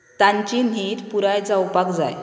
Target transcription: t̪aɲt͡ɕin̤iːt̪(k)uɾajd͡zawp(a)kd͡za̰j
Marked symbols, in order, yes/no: no, yes

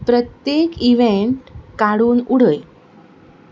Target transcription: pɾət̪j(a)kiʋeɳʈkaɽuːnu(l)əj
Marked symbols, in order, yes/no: no, no

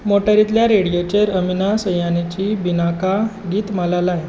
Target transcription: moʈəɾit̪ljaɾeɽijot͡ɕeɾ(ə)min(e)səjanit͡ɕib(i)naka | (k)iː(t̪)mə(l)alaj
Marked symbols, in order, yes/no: yes, no, yes, no, yes, yes

